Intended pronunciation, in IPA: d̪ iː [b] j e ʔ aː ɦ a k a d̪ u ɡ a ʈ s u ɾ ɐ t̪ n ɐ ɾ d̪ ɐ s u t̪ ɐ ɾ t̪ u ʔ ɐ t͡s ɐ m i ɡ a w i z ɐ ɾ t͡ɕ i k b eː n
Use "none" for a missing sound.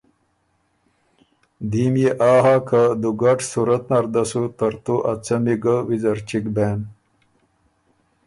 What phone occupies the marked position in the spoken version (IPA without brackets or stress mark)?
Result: m